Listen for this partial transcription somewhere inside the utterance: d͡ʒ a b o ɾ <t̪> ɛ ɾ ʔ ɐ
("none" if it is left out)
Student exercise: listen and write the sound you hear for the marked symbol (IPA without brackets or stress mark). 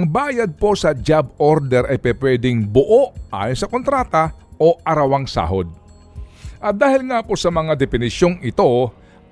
d̪